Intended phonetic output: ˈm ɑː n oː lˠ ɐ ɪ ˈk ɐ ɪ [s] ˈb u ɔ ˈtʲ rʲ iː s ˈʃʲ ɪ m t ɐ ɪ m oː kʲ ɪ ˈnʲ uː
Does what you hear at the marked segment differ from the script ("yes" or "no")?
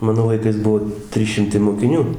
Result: no